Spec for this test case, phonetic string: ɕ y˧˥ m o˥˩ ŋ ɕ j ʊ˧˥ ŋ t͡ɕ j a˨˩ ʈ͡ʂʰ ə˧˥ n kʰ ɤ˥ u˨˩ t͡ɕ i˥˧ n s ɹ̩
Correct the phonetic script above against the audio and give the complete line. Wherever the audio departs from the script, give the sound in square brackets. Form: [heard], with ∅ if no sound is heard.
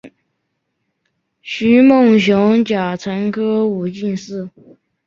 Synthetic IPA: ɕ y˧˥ m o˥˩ ŋ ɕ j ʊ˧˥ ŋ t͡ɕ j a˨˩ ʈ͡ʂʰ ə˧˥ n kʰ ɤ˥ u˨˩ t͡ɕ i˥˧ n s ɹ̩